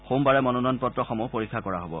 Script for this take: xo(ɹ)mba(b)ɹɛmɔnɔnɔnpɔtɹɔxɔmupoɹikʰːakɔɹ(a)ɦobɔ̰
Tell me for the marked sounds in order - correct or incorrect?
incorrect: none, incorrect: none, correct

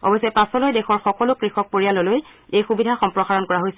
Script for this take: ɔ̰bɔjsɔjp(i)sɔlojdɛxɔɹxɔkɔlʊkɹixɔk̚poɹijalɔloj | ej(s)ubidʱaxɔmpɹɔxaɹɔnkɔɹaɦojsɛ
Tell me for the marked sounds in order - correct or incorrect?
incorrect: a, incorrect: x

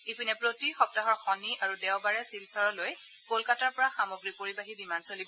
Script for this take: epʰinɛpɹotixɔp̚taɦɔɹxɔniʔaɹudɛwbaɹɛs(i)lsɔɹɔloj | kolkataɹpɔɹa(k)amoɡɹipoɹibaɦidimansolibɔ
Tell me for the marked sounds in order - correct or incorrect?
correct, incorrect: x

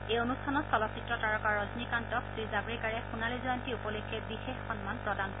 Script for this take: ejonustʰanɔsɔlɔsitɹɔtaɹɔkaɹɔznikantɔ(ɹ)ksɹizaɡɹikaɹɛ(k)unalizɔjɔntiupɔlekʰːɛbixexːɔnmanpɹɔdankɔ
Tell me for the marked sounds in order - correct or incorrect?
incorrect: none, incorrect: x

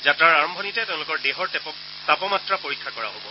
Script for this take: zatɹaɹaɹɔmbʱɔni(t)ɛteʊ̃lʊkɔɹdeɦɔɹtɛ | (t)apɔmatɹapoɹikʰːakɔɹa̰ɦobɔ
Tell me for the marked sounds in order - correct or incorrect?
correct, correct

